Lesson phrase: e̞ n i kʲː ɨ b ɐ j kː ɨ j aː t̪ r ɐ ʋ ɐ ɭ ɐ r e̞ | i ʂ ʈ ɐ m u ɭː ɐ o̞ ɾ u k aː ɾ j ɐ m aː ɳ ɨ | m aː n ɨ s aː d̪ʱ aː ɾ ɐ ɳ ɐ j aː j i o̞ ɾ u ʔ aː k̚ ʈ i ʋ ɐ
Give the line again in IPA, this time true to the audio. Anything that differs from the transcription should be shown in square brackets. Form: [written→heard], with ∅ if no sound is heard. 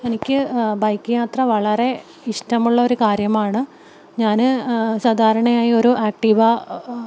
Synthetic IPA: e̞ n i kʲː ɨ b ɐ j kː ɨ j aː t̪ r ɐ ʋ ɐ ɭ ɐ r e̞ | i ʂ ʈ ɐ m u ɭː ɐ o̞ ɾ u k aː ɾ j ɐ m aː ɳ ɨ | [m→ɲ] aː n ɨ s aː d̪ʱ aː ɾ ɐ ɳ ɐ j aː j i o̞ ɾ u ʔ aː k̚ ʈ i ʋ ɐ